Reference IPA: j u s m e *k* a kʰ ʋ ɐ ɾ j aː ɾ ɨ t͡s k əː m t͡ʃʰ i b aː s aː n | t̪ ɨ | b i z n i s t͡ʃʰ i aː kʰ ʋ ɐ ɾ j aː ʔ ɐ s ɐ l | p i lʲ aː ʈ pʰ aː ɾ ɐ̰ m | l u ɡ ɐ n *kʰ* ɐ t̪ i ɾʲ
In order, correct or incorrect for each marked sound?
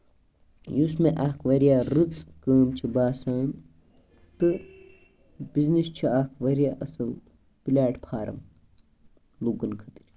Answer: incorrect: ʔ, correct

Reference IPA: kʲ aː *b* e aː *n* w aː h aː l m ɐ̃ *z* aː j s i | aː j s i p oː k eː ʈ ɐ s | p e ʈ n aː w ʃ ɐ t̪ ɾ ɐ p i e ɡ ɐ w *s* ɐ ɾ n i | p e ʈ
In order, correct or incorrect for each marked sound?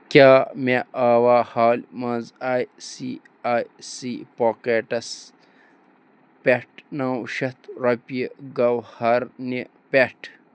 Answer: incorrect: m, incorrect: none, correct, incorrect: h

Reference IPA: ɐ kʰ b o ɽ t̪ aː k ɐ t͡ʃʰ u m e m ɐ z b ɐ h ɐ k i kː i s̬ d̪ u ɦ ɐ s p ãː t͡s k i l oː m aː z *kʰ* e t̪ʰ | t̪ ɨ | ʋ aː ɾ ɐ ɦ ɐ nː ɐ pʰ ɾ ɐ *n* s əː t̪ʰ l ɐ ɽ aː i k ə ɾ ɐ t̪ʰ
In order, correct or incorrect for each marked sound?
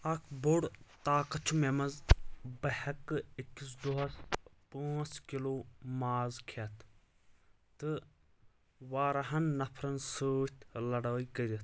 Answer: correct, correct

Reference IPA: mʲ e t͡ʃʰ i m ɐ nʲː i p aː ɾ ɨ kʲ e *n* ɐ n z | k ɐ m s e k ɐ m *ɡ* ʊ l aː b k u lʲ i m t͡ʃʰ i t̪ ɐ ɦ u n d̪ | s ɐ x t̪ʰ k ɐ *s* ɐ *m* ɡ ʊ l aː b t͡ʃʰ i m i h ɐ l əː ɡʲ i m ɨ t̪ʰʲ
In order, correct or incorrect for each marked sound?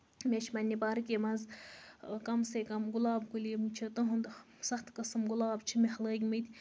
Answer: incorrect: m, correct, correct, correct

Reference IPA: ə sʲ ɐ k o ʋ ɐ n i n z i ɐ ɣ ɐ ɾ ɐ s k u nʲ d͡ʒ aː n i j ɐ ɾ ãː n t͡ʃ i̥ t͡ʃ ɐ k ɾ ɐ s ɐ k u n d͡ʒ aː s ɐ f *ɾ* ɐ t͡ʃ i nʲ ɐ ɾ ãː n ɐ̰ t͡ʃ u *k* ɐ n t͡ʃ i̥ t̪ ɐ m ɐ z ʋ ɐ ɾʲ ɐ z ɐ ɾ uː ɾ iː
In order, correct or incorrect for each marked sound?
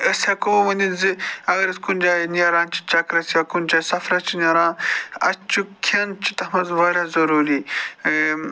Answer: correct, incorrect: kʰ

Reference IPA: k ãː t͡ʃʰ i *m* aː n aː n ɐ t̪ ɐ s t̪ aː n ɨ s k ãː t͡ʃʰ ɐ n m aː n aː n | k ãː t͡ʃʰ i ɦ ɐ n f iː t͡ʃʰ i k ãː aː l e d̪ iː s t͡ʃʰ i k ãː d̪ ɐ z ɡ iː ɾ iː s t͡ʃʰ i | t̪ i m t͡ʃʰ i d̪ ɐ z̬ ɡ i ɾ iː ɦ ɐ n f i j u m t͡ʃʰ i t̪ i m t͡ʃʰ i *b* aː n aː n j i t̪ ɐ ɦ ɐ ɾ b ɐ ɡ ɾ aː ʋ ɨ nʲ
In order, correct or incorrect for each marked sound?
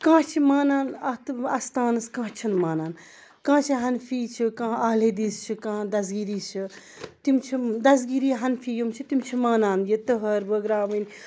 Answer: correct, incorrect: m

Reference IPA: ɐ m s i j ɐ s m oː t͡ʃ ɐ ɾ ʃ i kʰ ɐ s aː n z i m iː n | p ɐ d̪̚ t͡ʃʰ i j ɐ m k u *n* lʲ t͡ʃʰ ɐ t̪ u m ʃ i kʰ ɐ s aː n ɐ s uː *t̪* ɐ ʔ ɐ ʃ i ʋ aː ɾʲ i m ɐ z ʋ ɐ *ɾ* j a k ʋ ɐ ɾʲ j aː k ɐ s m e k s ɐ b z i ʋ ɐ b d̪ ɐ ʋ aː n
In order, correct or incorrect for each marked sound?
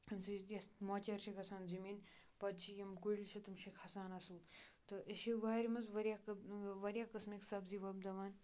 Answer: incorrect: none, correct, correct

